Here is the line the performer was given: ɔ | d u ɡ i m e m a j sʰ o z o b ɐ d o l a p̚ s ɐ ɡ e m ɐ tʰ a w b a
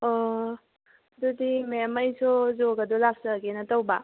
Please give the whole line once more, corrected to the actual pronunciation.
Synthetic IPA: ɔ | d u d i m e m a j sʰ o z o ɡ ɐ d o l a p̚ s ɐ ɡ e n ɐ t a w b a